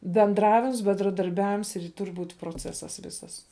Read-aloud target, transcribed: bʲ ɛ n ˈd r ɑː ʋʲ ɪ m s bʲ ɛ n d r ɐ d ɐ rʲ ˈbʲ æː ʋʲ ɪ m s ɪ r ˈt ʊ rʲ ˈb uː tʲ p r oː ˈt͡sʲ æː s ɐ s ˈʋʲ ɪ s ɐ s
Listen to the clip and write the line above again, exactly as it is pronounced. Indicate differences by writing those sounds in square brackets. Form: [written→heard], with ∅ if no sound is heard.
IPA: bʲ ɛ n ˈd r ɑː ʋʲ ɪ m s bʲ ɛ n d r ɐ d ɐ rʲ ˈbʲ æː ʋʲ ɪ m s ɪ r ˈt ʊ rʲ ˈb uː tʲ p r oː ˈt͡sʲ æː s ɐ s ˈʋʲ ɪ s ɐ s